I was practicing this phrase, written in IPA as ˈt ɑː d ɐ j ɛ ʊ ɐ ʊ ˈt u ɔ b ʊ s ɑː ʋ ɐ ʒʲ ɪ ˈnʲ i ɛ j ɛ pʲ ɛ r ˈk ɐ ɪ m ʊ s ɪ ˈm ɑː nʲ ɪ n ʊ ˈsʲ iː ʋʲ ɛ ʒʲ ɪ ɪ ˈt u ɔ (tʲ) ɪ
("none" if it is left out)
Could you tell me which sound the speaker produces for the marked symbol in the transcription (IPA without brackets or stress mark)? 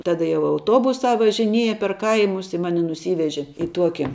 kʲ